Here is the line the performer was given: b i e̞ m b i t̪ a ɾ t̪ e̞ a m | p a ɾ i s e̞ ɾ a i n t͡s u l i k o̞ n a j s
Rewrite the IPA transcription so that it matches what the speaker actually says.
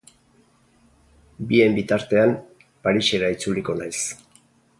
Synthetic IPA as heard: b i e̞ m b i t̪ a ɾ t̪ e̞ a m | p a ɾ i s e̞ ɾ a i t͡s u l i k o̞ n a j s